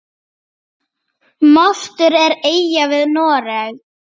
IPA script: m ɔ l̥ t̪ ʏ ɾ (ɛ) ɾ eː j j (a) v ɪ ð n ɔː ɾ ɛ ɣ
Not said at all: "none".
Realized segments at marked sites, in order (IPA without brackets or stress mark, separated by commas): ɛ, a